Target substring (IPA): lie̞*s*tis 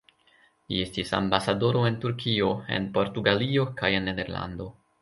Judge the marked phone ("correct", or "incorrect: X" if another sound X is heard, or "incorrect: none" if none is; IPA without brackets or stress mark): correct